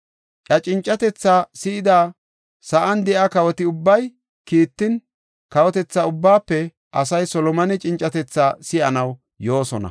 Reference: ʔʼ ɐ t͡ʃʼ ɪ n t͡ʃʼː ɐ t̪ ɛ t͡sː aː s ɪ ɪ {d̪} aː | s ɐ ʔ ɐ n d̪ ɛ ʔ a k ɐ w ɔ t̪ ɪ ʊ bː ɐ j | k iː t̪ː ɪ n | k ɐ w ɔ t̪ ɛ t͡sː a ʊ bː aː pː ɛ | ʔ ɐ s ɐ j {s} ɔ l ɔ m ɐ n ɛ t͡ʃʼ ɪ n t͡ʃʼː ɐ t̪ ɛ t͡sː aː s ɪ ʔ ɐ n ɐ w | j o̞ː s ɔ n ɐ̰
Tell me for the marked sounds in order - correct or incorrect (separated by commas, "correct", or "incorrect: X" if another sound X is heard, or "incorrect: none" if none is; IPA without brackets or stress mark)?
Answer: correct, correct